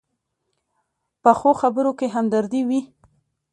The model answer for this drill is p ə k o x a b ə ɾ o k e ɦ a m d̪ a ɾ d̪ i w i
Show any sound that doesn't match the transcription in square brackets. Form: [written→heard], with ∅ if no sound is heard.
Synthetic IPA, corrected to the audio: p ə [k→x] o x a b ə ɾ o k e ɦ a m d̪ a ɾ d̪ i w i